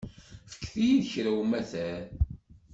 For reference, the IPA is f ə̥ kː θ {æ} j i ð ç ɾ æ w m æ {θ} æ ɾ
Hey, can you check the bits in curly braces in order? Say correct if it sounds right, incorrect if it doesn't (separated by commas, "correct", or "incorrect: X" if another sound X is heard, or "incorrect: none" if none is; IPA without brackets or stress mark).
incorrect: i, correct